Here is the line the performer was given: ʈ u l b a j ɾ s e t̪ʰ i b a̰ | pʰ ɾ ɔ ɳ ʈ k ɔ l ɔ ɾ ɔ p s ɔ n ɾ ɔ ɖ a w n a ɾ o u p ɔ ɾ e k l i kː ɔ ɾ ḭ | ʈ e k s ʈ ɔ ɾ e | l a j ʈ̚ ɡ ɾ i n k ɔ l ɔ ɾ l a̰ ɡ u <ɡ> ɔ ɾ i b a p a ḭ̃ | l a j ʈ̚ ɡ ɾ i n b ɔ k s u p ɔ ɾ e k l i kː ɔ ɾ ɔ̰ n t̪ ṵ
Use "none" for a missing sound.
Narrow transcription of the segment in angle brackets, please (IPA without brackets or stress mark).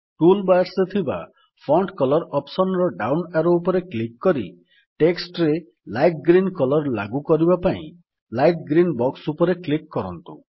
k